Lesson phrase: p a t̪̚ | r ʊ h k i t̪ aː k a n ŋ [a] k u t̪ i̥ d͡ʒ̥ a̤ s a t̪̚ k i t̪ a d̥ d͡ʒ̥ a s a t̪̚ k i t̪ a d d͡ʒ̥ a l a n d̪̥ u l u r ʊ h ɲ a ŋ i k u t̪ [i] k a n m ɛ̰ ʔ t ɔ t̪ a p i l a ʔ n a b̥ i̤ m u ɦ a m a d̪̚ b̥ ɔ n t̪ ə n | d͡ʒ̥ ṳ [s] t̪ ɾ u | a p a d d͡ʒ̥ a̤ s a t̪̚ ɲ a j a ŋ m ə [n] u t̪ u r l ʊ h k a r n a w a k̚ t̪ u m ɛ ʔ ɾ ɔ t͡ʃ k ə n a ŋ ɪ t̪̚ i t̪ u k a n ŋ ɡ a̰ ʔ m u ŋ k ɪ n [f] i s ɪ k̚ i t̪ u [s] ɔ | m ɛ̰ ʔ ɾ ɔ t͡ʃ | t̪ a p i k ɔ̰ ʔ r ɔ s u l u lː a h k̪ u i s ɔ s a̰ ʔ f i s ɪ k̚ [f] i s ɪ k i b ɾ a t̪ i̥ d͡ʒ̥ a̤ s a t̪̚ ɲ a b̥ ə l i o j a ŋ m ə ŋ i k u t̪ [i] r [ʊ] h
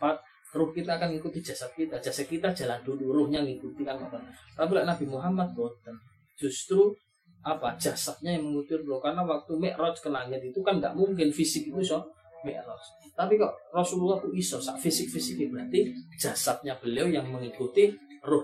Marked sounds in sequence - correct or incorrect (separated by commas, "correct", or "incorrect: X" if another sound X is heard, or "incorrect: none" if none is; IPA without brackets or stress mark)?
incorrect: i, correct, correct, incorrect: ŋ, correct, correct, correct, correct, correct